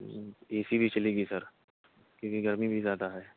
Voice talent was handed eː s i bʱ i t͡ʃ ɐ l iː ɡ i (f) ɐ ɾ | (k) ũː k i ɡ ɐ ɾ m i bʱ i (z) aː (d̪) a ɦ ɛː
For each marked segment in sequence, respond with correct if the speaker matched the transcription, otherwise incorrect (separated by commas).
incorrect, correct, correct, correct